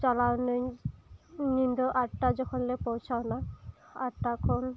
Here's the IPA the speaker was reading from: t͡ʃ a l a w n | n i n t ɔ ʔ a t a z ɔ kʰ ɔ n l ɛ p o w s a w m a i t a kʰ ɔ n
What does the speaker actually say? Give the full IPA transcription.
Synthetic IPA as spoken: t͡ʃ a l a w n | n i n d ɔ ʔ a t a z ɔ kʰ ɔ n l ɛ p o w s a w n a a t a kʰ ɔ n